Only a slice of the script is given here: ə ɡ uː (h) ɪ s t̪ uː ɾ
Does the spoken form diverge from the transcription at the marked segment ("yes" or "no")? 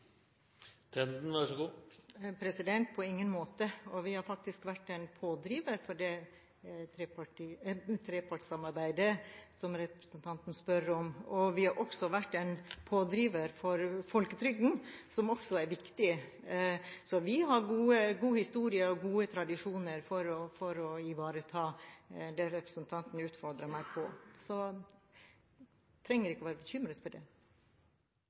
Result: no